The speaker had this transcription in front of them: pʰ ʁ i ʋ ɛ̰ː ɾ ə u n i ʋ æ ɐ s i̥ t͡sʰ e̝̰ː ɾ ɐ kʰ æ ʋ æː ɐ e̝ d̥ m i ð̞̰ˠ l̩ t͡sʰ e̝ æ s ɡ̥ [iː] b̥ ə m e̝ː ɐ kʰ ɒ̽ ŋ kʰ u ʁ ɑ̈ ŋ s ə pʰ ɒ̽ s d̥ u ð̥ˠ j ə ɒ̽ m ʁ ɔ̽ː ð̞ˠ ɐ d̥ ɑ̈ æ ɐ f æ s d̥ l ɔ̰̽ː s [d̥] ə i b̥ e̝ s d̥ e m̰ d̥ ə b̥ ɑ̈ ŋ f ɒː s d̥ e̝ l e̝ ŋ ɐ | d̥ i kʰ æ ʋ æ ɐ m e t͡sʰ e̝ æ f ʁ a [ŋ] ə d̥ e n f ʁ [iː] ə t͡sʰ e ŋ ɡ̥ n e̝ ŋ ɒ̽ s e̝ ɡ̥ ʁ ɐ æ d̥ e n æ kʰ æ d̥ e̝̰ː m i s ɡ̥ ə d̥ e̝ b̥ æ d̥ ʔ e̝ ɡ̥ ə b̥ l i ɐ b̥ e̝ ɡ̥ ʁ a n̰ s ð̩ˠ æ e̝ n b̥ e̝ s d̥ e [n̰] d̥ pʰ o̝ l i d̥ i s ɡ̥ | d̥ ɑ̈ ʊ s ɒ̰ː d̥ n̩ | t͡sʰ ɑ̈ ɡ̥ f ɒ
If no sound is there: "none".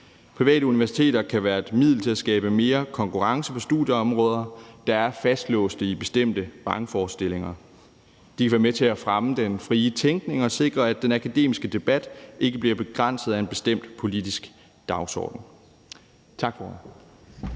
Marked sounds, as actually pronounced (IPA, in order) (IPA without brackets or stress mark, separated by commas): ɛː, d̥, m, iː, m̰